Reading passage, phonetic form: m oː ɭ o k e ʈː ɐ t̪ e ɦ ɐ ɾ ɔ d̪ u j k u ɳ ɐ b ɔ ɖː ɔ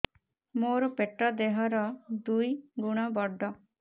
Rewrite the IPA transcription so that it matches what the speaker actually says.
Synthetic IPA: m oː ɾ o p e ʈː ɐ d̪ e ɦ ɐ ɾ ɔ d̪ u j ɡ u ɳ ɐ b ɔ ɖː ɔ